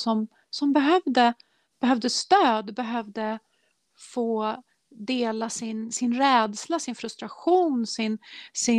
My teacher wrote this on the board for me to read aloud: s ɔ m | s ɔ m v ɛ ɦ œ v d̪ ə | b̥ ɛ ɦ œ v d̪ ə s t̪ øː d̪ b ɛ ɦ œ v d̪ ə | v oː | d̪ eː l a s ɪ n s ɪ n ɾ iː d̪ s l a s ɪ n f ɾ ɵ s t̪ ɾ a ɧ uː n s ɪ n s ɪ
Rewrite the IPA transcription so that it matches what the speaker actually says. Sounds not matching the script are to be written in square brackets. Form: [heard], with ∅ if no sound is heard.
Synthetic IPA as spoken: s ɔ m | s ɔ m [b] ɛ ɦ œ v d̪ ə | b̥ ɛ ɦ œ v d̪ ə s t̪ øː d̪ b ɛ ɦ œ v d̪ ə | [f] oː | d̪ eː l a s ɪ n s ɪ n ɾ [ɛː] d̪ s l a s ɪ n f ɾ ɵ s t̪ ɾ a ɧ uː n s ɪ n s ɪ